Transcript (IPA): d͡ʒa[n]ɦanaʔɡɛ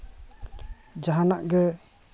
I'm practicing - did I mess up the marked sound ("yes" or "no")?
yes